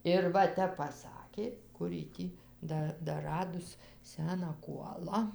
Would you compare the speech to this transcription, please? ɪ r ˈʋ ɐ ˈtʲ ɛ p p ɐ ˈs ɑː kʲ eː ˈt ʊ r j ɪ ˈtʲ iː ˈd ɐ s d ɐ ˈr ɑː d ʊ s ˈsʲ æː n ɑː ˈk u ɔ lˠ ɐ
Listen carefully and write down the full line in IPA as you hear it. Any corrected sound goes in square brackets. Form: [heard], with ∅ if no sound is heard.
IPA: ɪ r ˈʋ ɐ ˈtʲ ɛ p p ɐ ˈs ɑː kʲ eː [ˈk] ʊ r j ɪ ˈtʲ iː ˈd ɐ [∅] d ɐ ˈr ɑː d ʊ s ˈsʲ æː n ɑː ˈk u ɔ lˠ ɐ

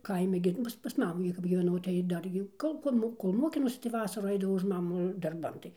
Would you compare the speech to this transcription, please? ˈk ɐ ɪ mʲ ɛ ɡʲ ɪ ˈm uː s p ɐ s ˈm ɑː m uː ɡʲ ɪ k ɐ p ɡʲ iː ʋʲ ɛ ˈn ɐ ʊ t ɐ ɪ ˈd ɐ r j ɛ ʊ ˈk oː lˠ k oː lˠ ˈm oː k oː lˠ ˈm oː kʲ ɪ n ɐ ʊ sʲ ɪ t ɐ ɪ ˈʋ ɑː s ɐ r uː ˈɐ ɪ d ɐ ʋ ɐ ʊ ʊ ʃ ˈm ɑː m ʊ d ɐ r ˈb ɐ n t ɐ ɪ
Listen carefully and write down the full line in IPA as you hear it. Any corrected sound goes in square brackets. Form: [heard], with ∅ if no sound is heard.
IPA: ˈk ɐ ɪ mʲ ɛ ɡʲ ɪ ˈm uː s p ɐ s ˈm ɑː m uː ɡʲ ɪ k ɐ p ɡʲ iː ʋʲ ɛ ˈn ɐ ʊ t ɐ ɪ ˈd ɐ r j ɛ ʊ ˈk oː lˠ k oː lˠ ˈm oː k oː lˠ ˈm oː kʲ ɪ n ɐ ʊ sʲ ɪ t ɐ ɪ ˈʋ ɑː s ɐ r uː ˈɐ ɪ d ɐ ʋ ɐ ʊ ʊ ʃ ˈm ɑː m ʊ d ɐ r ˈb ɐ n t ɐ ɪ

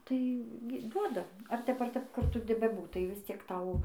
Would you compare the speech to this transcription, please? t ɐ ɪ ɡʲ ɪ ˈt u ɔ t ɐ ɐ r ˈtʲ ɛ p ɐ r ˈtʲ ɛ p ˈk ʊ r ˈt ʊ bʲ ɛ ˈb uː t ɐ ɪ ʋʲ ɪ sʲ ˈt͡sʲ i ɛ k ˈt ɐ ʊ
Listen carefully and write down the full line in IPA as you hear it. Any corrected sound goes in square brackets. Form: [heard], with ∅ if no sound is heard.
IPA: t ɐ ɪ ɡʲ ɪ [ˈd] u ɔ [d] ɐ ɐ r ˈtʲ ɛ p ɐ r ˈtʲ ɛ p ˈk ʊ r ˈt ʊ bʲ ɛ ˈb uː t ɐ ɪ ʋʲ ɪ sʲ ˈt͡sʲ i ɛ k ˈt ɐ ʊ

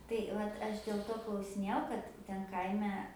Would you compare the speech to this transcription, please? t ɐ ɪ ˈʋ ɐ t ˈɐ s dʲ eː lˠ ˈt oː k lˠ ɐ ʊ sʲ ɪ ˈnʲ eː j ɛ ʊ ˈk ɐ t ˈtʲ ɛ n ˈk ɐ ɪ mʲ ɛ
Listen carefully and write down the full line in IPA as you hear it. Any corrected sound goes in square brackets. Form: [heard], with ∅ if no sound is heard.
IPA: t ɐ ɪ ˈʋ ɐ t ˈɐ [ʃ] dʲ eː lˠ ˈt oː k lˠ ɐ ʊ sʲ ɪ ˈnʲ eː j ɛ ʊ ˈk ɐ t ˈtʲ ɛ n ˈk ɐ ɪ mʲ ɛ

